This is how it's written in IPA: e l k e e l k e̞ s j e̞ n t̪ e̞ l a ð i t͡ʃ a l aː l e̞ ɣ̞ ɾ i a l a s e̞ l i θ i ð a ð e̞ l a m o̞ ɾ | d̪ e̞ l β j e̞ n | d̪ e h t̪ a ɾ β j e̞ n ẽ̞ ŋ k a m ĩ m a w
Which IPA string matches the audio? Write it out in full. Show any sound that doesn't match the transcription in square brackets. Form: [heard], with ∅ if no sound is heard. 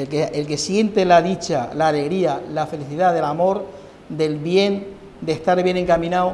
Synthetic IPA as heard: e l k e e l k e̞ s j e̞ n t̪ e̞ l a ð i t͡ʃ a l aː l e̞ ɣ̞ ɾ i a l a [f] e̞ l i θ i ð a ð e̞ l a m o̞ ɾ | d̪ e̞ l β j e̞ n | d̪ e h t̪ a ɾ β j e̞ n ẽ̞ ŋ k a m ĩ [n] a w